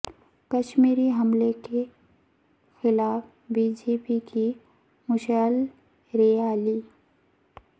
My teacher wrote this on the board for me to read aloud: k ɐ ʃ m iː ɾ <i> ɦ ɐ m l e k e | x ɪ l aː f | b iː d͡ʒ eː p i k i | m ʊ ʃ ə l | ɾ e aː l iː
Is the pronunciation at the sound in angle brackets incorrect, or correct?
correct